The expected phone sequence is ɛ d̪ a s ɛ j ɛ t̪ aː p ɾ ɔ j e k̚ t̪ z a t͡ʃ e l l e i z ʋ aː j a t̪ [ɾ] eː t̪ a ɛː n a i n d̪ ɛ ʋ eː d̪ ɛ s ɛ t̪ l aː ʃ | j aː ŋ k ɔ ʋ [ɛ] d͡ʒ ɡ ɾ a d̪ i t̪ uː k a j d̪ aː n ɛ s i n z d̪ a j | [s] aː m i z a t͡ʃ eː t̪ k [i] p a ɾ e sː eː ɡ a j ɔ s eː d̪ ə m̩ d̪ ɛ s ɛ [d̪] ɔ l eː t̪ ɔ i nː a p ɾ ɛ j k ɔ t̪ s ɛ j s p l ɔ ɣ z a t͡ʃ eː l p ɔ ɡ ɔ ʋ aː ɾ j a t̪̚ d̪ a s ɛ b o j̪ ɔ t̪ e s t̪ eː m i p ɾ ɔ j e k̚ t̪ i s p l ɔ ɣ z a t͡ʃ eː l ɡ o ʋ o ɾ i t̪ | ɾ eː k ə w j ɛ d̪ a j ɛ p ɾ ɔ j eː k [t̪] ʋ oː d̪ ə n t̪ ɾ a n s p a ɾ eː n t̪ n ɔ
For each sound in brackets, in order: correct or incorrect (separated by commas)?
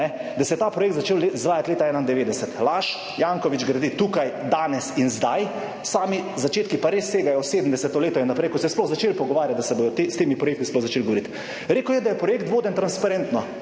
incorrect, incorrect, correct, correct, incorrect, correct